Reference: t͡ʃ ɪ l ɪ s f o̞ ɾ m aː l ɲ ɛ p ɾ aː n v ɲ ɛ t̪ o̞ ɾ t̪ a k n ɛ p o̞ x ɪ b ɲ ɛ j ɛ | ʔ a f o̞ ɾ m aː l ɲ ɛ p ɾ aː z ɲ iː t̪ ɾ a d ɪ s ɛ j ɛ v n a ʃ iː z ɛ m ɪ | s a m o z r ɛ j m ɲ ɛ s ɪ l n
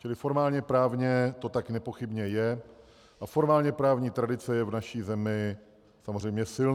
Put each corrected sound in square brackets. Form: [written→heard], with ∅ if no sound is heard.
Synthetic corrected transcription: t͡ʃ ɪ l ɪ [s→∅] f o̞ ɾ m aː l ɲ ɛ p ɾ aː [n→∅] v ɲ ɛ t̪ o̞ [ɾ→∅] t̪ a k n ɛ p o̞ x ɪ b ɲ ɛ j ɛ | ʔ a f o̞ ɾ m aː l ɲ ɛ p ɾ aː [z→v] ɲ iː t̪ ɾ a d ɪ [s→t͡s] ɛ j ɛ v n a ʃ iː z ɛ m ɪ | s a m o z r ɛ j m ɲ ɛ s ɪ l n